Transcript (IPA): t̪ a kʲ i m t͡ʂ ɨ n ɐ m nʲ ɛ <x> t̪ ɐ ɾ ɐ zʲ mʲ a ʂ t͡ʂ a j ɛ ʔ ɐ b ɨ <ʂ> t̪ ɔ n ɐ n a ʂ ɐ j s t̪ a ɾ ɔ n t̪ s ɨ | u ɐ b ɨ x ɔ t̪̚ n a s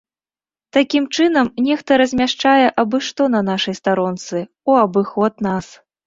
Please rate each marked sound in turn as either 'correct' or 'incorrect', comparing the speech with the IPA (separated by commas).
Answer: correct, correct